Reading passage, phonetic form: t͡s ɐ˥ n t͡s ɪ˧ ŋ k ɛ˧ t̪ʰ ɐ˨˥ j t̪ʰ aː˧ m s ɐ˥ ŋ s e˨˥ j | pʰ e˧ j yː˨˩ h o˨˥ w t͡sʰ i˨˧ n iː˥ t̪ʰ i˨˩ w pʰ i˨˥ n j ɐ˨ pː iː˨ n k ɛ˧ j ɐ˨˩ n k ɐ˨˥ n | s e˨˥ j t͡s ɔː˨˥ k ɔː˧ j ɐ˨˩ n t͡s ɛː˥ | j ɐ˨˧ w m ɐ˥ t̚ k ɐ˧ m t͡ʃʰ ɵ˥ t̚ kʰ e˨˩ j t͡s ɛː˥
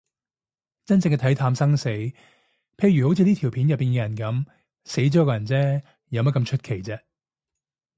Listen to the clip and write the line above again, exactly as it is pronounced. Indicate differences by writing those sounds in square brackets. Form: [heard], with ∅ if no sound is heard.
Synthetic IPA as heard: t͡s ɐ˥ n t͡s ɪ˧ ŋ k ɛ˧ t̪ʰ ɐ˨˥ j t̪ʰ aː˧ m s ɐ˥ ŋ s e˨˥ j | pʰ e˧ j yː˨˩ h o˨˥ w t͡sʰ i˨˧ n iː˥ t̪ʰ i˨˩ w pʰ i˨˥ n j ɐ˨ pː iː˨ n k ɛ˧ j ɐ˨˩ n k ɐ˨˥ [m] | s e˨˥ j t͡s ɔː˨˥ k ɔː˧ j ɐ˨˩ n t͡s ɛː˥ | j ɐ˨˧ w m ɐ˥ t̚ k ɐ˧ m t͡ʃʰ ɵ˥ t̚ kʰ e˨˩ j t͡s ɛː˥

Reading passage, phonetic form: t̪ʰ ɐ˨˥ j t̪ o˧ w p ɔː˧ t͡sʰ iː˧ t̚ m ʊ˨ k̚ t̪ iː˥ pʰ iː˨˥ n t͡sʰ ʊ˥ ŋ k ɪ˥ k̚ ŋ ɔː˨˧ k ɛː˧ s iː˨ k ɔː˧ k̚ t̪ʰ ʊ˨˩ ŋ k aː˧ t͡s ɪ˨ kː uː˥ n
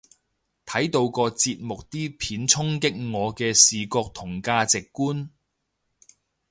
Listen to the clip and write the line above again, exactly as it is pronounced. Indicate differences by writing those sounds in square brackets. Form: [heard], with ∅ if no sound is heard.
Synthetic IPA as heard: t̪ʰ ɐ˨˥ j t̪ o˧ w [k] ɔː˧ [t͡s] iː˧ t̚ m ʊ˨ k̚ t̪ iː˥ pʰ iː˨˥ n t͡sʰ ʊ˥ ŋ k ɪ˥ k̚ ŋ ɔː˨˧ k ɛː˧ s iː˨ k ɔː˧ k̚ t̪ʰ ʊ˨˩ ŋ k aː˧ t͡s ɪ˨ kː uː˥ n

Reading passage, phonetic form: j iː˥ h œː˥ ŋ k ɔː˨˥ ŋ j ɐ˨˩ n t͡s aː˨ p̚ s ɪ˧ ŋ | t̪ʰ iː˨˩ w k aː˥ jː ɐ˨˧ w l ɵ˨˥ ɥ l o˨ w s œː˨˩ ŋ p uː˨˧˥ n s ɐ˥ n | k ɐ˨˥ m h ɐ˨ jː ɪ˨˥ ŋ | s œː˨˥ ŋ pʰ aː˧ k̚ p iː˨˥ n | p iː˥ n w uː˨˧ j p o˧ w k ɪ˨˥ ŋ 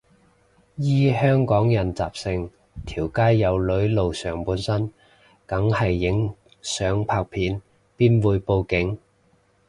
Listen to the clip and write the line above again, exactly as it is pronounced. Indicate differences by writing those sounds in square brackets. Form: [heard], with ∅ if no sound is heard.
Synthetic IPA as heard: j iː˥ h œː˥ ŋ k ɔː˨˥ ŋ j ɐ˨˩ n t͡s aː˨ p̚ s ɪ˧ ŋ | t̪ʰ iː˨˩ w k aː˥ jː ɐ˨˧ w l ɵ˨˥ ɥ l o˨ w s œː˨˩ ŋ p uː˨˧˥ n s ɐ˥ n | k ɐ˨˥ [ŋ] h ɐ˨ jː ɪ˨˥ ŋ | s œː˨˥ ŋ pʰ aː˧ k̚ [pʰ] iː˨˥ n | p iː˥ n w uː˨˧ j p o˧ w k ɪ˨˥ ŋ

